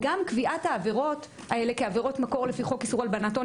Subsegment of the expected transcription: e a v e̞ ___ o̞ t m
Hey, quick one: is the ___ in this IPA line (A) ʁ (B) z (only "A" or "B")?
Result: A